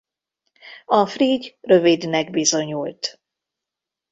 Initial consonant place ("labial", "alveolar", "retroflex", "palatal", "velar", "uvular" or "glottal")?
labial